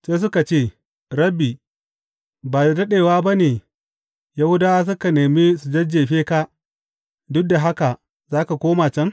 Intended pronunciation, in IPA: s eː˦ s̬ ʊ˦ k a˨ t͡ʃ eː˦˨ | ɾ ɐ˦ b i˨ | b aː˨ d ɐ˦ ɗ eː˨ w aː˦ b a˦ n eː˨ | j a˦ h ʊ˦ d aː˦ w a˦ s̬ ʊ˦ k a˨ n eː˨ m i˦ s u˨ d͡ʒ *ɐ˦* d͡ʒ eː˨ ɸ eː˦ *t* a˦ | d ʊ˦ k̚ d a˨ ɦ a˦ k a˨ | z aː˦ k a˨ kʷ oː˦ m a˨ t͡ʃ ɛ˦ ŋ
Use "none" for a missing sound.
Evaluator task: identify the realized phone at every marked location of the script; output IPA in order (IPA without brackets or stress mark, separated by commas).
ɐ˦, k